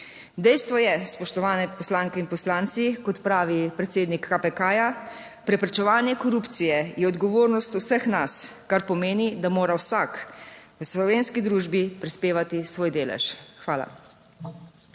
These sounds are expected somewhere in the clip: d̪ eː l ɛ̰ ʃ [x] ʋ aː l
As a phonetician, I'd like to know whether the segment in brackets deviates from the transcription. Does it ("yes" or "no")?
no